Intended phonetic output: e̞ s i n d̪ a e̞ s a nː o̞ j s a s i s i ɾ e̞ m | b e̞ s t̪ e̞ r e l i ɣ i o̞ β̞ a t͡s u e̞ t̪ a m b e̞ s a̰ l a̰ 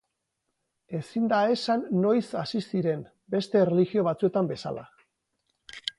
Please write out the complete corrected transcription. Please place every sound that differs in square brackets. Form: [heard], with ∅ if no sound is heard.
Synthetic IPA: e̞ s i n d̪ a e̞ s a nː o̞ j s a s i s i ɾ e̞ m | b e̞ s t̪ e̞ r e l i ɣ i o̞ β̞ a t͡s u e̞ t̪ a m b e̞ s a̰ l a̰